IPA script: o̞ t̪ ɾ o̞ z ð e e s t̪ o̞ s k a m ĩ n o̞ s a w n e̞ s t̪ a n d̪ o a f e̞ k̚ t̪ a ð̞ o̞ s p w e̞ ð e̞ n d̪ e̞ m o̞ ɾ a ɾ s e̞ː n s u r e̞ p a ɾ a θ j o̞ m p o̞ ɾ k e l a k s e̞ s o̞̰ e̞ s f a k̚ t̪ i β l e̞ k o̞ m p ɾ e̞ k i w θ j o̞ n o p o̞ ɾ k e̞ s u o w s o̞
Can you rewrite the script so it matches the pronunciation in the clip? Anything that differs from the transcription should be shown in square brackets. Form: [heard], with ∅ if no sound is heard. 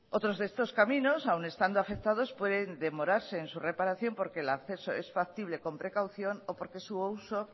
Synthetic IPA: o̞ t̪ ɾ o̞ z ð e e s t̪ o̞ s k a m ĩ n o̞ s a w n e̞ s t̪ a n d̪ o a f e̞ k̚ t̪ a ð̞ o̞ s p w e̞ ð e̞ n d̪ e̞ m o̞ ɾ a ɾ s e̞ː n s u r e̞ p a ɾ a θ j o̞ m p o̞ ɾ k e l a k [θ] e̞ s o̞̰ e̞ s f a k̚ t̪ i β l e̞ k o̞ m p ɾ e̞ k [a] w θ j o̞ n o p o̞ ɾ k e̞ s u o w s o̞